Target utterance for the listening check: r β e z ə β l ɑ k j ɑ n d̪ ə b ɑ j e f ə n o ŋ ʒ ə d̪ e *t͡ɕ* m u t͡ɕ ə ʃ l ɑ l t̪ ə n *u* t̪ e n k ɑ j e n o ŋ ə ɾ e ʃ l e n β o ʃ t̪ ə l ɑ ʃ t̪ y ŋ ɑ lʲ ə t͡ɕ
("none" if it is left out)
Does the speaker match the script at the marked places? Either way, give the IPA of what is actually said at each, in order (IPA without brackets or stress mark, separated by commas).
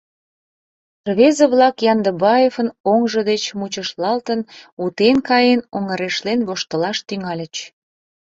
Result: t͡ɕ, u